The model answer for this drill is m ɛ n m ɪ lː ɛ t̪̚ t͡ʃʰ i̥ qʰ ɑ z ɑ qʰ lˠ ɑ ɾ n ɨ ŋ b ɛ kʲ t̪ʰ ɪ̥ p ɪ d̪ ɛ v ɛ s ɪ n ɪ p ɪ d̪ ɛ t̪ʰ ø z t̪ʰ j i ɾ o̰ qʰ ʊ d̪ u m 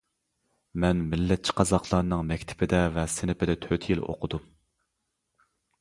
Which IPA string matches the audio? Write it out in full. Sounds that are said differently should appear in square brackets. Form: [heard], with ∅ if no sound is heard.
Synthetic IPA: m ɛ n m ɪ lː ɛ t̪̚ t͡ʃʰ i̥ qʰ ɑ z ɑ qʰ lˠ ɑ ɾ n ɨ ŋ [m] ɛ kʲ t̪ʰ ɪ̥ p ɪ d̪ ɛ v ɛ s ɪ n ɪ p ɪ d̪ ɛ t̪ʰ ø [∅] t̪ʰ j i [l] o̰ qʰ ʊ d̪ u m